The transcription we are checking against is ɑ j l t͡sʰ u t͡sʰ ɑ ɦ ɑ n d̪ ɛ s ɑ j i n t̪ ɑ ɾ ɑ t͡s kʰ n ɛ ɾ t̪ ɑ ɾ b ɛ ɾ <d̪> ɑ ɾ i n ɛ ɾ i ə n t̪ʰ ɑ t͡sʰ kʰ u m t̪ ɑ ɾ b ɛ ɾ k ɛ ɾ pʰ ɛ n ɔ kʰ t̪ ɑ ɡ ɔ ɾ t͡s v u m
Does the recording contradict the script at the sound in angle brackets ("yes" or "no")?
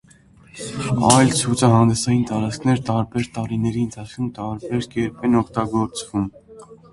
yes